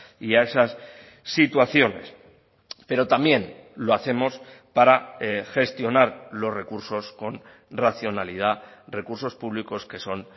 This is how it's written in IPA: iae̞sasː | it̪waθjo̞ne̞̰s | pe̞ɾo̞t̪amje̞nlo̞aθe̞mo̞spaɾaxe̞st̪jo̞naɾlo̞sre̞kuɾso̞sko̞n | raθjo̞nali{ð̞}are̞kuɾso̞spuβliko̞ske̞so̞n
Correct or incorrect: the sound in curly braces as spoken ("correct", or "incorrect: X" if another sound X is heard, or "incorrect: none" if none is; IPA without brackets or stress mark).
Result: correct